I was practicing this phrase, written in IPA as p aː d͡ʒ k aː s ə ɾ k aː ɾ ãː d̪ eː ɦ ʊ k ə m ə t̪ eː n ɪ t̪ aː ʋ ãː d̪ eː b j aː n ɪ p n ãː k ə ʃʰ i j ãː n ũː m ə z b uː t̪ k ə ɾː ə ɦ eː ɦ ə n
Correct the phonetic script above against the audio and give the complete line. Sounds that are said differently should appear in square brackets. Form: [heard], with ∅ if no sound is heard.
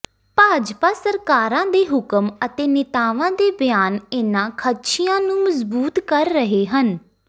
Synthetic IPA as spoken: p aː d͡ʒ [p] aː s ə ɾ k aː ɾ ãː d̪ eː ɦ ʊ k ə m ə t̪ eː n ɪ t̪ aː ʋ ãː d̪ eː b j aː n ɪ [∅] n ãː [kʰ] ə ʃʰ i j ãː n ũː m ə z b uː t̪ k ə ɾː ə ɦ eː ɦ ə n